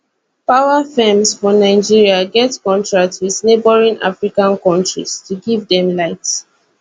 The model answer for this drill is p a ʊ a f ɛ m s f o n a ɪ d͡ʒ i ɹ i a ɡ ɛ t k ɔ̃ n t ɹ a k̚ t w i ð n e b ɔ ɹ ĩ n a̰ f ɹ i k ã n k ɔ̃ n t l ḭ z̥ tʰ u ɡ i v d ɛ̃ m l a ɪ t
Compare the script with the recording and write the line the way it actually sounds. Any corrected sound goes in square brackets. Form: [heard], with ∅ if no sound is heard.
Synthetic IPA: p a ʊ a f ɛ m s f [ɔ] n a ɪ d͡ʒ i ɹ i a ɡ ɛ t k ɔ̃ n t ɹ a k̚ t w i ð n e b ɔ ɹ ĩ n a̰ f ɹ i k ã n k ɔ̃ n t [ɹ] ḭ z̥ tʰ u ɡ i v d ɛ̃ m l a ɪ t